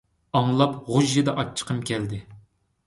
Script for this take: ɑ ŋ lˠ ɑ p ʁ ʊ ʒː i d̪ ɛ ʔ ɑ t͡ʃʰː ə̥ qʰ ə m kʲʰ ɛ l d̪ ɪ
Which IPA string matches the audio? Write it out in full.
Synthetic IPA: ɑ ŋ lˠ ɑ p ʁ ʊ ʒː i d̪ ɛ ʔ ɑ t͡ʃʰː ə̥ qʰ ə m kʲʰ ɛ l d̪ ɪ